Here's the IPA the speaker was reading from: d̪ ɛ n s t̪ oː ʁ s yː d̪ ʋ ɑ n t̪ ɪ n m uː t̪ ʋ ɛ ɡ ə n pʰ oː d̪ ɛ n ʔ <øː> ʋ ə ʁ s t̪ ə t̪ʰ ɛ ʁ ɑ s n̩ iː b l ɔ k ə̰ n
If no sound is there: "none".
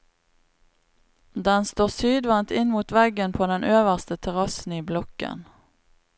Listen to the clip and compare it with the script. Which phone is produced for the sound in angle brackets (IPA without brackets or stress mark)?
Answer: øː